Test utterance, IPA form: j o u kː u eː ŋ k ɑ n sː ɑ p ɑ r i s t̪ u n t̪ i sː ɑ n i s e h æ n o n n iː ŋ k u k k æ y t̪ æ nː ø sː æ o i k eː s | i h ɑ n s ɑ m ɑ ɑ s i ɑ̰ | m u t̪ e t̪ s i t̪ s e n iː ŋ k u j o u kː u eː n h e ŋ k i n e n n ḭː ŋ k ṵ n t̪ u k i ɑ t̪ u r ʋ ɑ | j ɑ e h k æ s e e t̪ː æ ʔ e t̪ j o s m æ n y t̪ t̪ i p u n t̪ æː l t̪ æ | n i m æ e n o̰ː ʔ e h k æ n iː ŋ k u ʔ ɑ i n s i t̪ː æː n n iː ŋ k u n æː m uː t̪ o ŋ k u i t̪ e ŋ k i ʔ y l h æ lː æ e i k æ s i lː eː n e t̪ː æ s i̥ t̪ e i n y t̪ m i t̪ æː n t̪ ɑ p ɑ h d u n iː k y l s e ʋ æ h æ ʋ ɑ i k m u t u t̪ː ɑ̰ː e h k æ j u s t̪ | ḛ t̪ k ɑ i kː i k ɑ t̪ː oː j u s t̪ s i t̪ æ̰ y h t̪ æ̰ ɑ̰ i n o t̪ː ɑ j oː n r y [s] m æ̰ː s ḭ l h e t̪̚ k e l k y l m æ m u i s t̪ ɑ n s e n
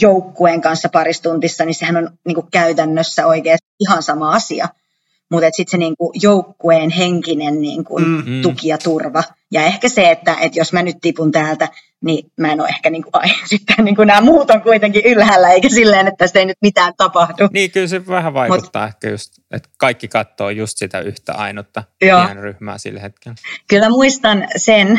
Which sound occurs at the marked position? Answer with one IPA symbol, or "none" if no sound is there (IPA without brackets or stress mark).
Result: h